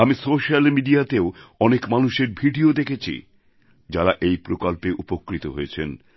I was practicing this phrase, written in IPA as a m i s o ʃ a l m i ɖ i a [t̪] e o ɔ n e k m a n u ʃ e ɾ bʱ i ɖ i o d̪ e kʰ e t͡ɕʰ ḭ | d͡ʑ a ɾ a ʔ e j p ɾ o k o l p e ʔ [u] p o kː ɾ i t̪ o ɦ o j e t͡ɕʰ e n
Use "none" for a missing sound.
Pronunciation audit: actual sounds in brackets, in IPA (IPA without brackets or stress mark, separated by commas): t̪, u